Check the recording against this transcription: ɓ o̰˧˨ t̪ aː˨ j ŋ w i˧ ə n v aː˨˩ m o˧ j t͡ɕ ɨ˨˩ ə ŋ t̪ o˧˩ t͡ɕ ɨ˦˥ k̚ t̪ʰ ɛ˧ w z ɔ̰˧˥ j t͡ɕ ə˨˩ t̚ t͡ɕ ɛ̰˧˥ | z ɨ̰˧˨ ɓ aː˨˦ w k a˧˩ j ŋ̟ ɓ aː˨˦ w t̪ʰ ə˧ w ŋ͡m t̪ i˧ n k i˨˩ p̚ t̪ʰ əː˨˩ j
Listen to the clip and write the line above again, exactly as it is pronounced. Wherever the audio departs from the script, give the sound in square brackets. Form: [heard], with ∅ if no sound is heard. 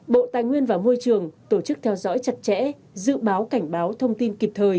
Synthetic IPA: ɓ o̰˧˨ t̪ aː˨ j ŋ w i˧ ə n v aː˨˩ m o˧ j t͡ɕ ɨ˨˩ ə ŋ t̪ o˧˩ t͡ɕ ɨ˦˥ k̚ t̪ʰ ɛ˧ w z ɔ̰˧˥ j t͡ɕ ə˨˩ t̚ t͡ɕ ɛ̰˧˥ | z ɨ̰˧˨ ɓ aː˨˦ w k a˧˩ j ŋ̟ ɓ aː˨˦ w t̪ʰ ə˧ w ŋ͡m t̪ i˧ n k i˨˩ p̚ t̪ʰ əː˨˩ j